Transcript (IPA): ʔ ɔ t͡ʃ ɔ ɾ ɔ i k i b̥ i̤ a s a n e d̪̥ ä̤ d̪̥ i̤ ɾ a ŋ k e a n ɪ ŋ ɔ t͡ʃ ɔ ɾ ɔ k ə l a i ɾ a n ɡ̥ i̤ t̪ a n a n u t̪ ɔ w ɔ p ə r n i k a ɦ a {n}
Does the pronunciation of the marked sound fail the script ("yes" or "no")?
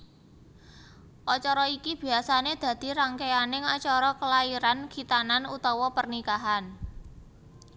no